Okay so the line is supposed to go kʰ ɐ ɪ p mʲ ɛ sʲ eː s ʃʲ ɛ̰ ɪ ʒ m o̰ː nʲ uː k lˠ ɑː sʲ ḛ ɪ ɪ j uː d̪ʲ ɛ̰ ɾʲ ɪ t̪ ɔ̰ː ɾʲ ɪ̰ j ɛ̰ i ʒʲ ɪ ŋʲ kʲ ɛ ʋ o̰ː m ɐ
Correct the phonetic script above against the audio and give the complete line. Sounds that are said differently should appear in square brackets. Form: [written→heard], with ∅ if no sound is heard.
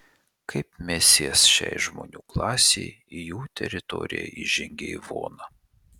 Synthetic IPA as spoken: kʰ ɐ ɪ p mʲ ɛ sʲ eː s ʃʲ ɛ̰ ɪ ʒ m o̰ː nʲ uː k lˠ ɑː sʲ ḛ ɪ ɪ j uː [d̪ʲ→t̪ʲ] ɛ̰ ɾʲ ɪ t̪ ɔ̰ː ɾʲ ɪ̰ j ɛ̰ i ʒʲ ɪ ŋʲ [kʲ→ɡʲ] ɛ ʋ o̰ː [m→n] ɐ